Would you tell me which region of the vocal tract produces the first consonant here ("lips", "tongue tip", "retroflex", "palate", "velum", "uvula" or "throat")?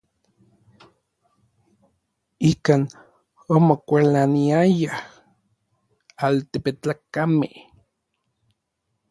velum